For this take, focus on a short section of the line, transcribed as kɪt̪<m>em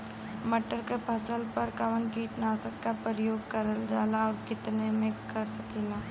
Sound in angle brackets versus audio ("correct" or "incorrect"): incorrect